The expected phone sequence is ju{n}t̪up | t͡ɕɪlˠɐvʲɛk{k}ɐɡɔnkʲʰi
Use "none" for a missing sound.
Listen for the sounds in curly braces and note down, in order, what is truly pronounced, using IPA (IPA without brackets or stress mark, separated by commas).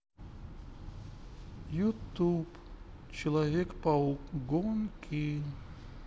none, p